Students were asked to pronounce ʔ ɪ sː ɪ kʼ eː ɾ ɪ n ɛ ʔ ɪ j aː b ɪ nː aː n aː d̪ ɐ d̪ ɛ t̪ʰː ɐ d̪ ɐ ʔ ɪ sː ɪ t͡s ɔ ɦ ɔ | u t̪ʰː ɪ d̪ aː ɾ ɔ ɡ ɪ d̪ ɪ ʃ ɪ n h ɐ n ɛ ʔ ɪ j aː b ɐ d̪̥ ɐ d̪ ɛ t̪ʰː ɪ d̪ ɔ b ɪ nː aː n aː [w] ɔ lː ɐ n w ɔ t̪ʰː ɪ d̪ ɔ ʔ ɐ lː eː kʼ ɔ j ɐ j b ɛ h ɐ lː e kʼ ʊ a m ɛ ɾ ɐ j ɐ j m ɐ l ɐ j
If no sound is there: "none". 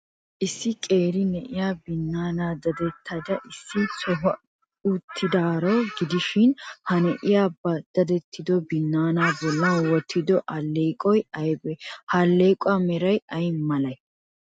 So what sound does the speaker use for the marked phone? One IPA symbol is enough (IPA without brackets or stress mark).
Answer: b